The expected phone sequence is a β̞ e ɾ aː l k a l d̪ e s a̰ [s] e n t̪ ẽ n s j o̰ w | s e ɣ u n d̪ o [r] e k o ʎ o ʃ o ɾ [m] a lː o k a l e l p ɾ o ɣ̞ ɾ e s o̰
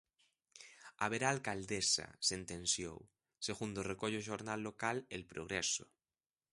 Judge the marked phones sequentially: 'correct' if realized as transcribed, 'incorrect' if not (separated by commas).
correct, correct, incorrect